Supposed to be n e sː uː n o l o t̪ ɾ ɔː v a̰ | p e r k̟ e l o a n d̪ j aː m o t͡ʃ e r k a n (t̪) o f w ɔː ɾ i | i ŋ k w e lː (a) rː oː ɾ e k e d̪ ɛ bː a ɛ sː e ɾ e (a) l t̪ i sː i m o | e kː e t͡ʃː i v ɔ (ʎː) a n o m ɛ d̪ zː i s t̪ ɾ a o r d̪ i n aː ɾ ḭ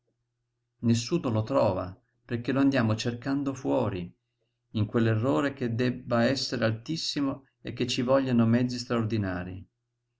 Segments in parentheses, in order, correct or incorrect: incorrect: d̪, incorrect: e, correct, correct

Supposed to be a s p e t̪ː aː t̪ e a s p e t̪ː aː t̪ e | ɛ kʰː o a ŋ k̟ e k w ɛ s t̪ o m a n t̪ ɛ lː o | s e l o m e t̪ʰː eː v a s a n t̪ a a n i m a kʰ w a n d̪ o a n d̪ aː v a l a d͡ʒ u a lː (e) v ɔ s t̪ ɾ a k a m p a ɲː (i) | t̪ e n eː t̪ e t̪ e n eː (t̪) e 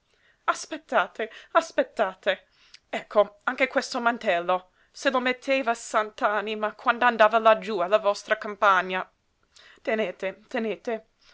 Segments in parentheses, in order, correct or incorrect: incorrect: a, incorrect: a, correct

